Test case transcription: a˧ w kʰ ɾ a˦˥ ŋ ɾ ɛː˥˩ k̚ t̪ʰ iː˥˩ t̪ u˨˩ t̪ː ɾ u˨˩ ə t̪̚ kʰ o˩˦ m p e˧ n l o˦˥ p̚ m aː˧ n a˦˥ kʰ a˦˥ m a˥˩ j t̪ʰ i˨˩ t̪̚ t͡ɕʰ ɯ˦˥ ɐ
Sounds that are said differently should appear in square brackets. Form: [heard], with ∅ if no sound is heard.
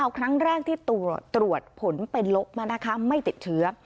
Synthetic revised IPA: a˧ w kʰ ɾ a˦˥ ŋ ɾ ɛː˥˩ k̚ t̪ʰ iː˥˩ t̪ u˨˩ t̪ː ɾ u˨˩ ə t̪̚ [pʰ] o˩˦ [n] p e˧ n l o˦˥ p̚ m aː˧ n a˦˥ kʰ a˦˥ m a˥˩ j [t̪] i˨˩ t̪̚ t͡ɕʰ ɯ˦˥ ɐ

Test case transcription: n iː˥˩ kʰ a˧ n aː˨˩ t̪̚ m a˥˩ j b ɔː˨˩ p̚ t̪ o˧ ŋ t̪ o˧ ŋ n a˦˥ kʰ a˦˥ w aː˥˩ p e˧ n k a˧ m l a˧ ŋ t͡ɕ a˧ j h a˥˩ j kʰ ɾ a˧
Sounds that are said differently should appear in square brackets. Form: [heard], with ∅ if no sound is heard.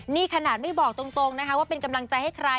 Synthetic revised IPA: n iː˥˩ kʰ a˧ n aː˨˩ t̪̚ m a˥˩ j b ɔː˨˩ [k̚] t̪ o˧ ŋ t̪ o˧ ŋ n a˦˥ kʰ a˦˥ w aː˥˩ p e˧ n k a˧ m l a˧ ŋ t͡ɕ a˧ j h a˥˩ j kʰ ɾ a˧

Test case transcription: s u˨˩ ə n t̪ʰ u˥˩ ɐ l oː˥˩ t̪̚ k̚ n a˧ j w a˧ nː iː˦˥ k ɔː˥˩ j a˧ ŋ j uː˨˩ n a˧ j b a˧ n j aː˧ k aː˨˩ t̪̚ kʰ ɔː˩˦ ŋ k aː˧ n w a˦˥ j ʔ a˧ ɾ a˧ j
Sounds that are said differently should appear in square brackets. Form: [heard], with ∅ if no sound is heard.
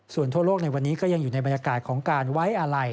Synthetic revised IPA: s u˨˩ ə n t̪ʰ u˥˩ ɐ l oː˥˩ [∅] k̚ n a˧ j w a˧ nː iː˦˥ k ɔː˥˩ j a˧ ŋ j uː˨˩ n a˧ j b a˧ n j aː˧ k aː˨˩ t̪̚ kʰ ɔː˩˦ ŋ k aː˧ n w a˦˥ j ʔ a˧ ɾ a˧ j

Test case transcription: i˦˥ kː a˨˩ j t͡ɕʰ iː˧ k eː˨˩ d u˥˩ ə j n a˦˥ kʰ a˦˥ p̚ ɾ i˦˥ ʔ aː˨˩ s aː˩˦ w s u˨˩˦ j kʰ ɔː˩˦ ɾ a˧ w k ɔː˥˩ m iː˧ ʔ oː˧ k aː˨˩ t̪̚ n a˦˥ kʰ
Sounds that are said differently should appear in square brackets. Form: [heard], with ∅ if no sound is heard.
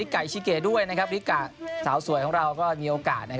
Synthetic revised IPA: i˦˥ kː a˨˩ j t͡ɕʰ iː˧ k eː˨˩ d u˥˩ ə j n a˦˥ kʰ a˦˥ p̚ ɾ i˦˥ [k] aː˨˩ s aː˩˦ w s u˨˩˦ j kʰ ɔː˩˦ ɾ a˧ w k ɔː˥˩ m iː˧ ʔ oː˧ k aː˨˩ t̪̚ n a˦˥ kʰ

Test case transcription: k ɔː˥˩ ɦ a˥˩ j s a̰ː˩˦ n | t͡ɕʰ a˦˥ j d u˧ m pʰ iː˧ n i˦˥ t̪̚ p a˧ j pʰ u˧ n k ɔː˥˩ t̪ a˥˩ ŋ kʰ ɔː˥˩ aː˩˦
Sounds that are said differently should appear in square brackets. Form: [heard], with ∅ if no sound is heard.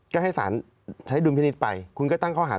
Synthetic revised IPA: k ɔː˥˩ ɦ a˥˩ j s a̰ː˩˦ n | t͡ɕʰ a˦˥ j d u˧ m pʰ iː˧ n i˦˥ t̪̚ p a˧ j [kʰ] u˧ n k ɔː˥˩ t̪ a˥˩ ŋ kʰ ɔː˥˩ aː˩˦

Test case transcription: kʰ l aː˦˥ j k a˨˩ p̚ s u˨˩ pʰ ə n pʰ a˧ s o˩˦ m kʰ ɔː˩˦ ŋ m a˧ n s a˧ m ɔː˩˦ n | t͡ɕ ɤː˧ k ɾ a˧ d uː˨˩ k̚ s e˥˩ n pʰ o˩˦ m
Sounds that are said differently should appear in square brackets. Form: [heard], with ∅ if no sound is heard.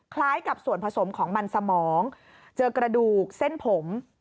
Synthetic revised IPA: kʰ l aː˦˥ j k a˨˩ p̚ s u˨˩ [∅] ə n pʰ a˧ s o˩˦ m kʰ ɔː˩˦ ŋ m a˧ n s a˧ m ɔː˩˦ [ŋ] | t͡ɕ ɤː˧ k ɾ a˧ d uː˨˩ k̚ s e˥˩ n pʰ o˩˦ m

